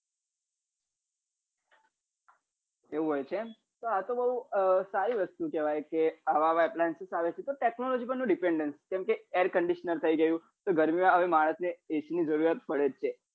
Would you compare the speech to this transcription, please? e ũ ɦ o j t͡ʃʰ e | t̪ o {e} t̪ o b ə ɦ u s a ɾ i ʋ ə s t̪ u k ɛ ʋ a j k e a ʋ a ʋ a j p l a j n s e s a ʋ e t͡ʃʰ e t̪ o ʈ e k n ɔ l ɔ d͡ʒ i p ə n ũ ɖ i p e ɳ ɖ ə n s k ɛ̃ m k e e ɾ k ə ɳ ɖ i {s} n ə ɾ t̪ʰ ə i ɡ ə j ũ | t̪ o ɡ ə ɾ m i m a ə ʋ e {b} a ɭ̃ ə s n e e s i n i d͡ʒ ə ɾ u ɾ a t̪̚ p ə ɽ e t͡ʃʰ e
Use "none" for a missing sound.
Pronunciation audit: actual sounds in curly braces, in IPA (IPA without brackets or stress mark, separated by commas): a, ʃ, m